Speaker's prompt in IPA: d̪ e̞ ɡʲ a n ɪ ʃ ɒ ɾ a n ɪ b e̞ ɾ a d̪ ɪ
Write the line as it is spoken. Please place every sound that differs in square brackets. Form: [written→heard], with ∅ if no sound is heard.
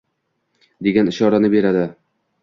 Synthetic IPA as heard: d̪ e̞ ɡʲ a n ɪ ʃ ɒ ɾ a n ɪ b e̞ ɾ a d̪ ɪ